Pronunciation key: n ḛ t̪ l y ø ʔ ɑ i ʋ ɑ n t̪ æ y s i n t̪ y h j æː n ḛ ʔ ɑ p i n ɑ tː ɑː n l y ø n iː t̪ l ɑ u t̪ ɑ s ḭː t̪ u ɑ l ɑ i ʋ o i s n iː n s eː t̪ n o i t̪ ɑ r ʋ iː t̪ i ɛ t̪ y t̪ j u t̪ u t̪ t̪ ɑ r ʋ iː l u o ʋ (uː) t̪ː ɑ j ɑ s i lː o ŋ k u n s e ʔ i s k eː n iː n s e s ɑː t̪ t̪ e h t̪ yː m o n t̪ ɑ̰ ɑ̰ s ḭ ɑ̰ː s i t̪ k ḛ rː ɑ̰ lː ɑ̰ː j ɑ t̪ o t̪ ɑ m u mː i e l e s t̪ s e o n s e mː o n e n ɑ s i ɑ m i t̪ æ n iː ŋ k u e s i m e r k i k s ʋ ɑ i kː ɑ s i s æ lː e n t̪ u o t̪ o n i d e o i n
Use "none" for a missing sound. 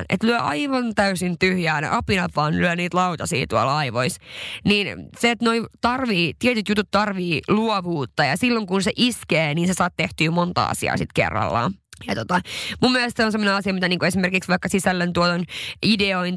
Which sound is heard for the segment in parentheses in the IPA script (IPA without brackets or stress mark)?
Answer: uː